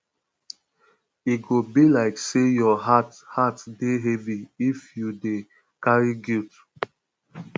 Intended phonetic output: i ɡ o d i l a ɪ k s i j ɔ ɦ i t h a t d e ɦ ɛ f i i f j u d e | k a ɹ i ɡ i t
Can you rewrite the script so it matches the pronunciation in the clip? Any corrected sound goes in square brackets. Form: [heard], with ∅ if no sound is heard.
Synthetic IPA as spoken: i ɡ o [b] i l a ɪ k s [e] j ɔ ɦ [a] t h a t d e ɦ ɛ [v] i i f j u d e | k a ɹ i ɡ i t